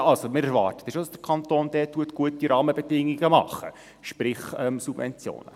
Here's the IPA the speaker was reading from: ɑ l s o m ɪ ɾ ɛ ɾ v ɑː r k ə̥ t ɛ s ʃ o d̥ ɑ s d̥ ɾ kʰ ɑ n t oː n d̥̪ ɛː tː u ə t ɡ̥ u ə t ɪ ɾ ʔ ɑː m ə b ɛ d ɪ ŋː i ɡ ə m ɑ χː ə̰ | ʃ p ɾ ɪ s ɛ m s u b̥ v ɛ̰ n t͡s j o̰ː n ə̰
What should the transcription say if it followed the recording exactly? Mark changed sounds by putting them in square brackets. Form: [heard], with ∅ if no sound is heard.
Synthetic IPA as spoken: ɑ l s o m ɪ ɾ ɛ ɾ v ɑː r [t] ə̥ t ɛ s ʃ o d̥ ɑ s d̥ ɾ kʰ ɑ n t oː n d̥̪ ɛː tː u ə t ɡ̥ u ə t [i] ɾ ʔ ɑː m ə b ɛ d ɪ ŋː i ɡ ə m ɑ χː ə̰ | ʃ p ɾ ɪ [χ] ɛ m s u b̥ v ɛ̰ n t͡s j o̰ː n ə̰